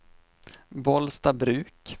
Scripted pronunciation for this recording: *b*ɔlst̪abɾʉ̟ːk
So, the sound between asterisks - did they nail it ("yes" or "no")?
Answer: yes